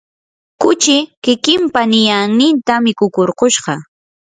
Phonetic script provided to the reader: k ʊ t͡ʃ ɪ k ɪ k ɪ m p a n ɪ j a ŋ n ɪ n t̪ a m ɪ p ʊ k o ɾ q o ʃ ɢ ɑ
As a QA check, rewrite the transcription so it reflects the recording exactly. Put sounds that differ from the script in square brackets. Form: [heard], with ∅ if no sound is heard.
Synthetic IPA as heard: k ʊ t͡ʃ ɪ k ɪ k ɪ m p a n ɪ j a ŋ n ɪ n t̪ a m ɪ [k] ʊ k o ɾ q o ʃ ɢ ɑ